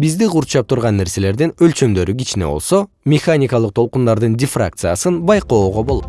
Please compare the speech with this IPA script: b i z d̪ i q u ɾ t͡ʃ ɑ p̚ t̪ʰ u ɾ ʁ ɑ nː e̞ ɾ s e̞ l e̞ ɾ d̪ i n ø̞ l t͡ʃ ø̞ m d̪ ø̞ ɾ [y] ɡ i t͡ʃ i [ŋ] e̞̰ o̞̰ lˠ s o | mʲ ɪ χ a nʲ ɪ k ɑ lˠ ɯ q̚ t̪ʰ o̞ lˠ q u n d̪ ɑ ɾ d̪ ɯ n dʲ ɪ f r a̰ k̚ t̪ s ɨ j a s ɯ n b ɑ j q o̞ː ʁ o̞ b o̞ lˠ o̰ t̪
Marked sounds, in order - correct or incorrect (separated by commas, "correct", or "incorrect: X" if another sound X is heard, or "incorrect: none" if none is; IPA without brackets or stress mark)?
correct, incorrect: n